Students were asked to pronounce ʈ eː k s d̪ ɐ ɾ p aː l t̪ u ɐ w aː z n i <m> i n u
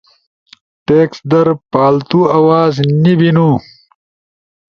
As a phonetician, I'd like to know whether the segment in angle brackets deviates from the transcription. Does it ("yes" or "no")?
yes